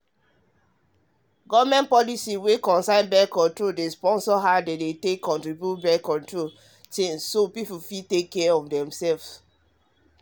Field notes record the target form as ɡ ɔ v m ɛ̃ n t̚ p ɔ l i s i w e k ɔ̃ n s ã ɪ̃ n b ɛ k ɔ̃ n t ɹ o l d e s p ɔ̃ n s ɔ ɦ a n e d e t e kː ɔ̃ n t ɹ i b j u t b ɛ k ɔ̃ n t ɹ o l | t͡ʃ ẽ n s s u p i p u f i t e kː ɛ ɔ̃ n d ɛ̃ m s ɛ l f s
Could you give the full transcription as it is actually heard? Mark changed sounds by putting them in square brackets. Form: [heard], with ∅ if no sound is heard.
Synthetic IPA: ɡ ɔ v m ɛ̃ n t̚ p ɔ l i s i w e k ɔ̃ n s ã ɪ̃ n b ɛ k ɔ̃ n t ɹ o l d e s p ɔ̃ n s ɔ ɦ a [d] e d e t e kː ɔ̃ n t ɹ i b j u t b ɛ k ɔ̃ n t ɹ o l | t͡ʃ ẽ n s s [o] p i p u f i t e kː ɛ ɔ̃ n d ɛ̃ m s ɛ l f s